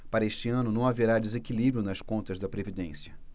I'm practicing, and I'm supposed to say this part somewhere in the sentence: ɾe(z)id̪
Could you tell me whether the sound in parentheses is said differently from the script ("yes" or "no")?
yes